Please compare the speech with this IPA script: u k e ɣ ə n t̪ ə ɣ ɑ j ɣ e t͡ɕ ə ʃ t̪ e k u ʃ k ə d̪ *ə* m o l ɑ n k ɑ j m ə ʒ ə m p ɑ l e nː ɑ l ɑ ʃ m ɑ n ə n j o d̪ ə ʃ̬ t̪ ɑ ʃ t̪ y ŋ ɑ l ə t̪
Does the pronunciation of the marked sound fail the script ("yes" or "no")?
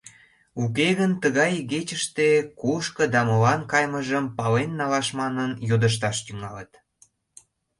yes